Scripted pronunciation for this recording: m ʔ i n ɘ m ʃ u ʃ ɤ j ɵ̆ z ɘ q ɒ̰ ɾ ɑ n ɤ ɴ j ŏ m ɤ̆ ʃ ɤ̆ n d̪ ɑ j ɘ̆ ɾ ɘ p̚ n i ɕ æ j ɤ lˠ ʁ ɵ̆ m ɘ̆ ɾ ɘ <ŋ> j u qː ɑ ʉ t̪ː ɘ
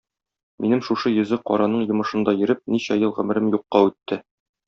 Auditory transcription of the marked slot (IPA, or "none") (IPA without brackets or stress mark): m